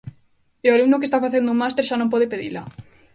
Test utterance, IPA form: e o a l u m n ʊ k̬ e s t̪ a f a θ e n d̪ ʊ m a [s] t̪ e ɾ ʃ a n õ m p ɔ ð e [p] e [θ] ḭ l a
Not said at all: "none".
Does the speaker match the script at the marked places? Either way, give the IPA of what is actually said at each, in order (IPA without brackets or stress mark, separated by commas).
s, p, ð